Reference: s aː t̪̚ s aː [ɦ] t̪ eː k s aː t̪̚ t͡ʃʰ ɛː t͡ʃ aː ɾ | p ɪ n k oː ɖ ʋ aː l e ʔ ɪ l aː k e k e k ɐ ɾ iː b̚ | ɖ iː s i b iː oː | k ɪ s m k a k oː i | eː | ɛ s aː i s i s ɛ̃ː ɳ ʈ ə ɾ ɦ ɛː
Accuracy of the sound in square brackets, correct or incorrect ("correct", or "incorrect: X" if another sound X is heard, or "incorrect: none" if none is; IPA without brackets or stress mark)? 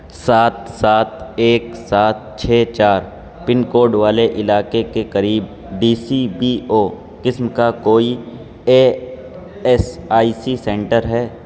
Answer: incorrect: none